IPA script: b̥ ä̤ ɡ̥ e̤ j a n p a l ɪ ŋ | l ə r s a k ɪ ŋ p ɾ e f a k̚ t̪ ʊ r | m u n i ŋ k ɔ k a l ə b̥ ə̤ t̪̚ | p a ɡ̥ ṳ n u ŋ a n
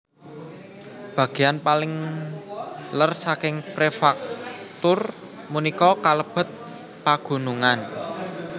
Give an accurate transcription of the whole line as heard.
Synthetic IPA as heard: b̥ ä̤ ɡ̥ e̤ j a n p a l ɪ ŋ | l ə r s a k ɪ ŋ p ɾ e f a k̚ t̪ ʊ r | m u n i k ɔ k a l ə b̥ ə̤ t̪̚ | p a ɡ̥ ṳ n u ŋ a n